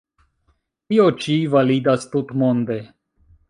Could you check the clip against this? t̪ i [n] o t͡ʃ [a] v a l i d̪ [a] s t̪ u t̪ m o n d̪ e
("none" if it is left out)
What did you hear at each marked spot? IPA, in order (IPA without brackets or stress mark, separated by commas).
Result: none, i, a